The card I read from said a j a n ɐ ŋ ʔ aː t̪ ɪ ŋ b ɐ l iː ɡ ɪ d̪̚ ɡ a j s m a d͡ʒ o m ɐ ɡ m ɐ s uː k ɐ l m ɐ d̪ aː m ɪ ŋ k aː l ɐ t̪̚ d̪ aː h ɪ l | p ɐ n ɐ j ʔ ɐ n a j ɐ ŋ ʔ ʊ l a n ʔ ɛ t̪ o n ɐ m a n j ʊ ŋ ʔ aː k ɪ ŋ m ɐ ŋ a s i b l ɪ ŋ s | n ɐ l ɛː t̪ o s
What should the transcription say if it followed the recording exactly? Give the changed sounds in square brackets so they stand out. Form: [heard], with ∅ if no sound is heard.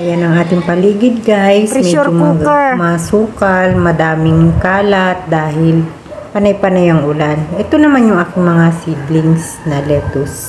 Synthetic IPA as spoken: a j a n ɐ ŋ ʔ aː t̪ ɪ ŋ [p] ɐ l iː ɡ ɪ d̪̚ ɡ a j s m [ɛ] d͡ʒ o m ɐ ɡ m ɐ s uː k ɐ l m ɐ d̪ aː m ɪ ŋ k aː l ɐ t̪̚ d̪ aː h ɪ l | p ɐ n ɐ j [p] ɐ n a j ɐ ŋ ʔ ʊ l a n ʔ ɛ t̪ o n ɐ m a n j ʊ ŋ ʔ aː k ɪ ŋ m ɐ ŋ a s i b l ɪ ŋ s | n ɐ l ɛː t̪ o s